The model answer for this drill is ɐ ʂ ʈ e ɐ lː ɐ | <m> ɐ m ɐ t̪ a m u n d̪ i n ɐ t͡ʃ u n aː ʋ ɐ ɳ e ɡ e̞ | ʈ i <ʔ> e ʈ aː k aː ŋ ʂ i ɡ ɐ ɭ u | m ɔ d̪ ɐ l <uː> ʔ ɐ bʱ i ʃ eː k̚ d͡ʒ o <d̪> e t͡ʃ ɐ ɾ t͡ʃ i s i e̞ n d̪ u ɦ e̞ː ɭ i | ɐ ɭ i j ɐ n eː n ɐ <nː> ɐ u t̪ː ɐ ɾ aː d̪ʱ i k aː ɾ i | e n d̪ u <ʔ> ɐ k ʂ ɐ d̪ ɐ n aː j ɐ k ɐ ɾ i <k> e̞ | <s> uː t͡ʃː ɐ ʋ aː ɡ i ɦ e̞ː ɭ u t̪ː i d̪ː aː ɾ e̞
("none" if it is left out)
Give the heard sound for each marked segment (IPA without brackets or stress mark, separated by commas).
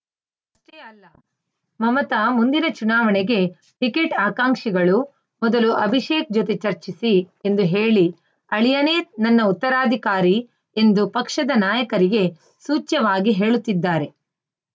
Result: m, k, u, t̪, nː, p, ɡ, s